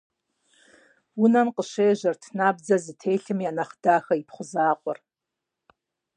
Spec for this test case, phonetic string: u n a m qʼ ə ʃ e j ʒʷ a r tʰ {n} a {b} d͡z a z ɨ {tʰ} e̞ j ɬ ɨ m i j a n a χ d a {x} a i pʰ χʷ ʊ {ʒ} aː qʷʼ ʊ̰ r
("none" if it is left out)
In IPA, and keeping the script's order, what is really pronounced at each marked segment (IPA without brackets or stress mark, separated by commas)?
n, b, tʰ, x, z